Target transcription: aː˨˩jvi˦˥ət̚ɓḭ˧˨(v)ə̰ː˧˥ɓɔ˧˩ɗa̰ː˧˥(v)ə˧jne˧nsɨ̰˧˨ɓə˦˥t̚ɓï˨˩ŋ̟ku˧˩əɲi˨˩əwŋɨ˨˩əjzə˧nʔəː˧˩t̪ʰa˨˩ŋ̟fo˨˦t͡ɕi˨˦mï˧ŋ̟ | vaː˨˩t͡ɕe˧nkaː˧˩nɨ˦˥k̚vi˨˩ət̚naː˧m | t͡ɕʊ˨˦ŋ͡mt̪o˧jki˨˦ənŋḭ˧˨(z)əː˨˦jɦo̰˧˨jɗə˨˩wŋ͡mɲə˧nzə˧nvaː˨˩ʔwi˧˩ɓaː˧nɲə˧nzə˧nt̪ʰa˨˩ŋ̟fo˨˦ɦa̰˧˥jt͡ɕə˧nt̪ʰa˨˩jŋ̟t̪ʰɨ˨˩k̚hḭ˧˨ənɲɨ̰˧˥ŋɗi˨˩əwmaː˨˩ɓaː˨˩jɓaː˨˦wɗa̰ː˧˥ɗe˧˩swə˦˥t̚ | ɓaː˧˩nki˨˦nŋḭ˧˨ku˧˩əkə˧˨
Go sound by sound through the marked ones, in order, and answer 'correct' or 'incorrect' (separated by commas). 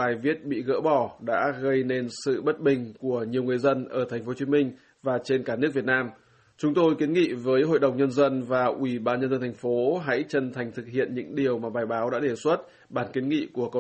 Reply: incorrect, incorrect, incorrect